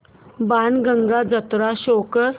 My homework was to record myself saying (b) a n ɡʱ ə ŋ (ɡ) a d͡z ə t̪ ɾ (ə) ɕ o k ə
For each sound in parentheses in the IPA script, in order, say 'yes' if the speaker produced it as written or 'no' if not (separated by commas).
yes, yes, no